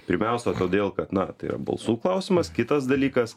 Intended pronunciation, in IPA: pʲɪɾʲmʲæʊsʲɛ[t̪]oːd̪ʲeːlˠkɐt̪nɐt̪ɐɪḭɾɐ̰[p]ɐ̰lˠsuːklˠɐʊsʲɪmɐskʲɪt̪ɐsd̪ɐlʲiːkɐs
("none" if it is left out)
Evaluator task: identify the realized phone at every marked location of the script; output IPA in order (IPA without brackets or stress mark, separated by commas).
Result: t̪, b